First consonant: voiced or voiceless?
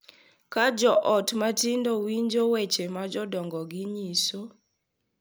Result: voiceless